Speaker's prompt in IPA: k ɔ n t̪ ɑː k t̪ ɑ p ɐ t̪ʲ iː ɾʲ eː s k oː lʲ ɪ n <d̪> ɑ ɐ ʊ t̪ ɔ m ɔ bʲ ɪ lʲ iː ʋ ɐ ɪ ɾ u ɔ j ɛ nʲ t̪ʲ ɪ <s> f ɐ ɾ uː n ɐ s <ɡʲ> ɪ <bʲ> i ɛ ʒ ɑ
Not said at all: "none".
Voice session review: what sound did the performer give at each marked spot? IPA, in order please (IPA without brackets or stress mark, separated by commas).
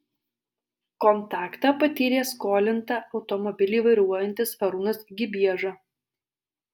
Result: t̪, s, ɡʲ, bʲ